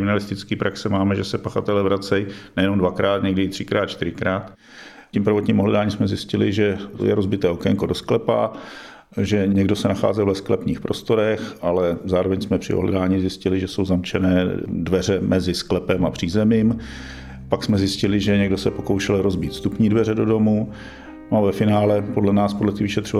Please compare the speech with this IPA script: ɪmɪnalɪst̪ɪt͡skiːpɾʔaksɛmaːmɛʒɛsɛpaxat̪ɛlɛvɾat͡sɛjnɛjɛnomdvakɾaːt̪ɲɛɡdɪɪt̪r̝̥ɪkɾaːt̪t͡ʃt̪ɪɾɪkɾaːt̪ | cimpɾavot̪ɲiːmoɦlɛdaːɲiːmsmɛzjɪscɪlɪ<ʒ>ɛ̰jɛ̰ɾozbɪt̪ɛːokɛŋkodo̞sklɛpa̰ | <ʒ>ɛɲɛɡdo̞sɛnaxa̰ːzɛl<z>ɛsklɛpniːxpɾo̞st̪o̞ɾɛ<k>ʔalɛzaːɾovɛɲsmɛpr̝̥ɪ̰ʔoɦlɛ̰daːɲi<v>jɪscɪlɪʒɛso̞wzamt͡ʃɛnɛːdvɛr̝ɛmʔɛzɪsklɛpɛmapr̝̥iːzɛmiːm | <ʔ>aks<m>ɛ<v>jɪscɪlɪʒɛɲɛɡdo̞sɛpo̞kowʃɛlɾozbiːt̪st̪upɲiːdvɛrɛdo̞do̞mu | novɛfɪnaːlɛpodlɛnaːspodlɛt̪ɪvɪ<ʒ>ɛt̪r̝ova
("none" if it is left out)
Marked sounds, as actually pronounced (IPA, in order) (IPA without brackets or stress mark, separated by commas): ʒ, ʒ, v, x, z, p, m, z, ʃ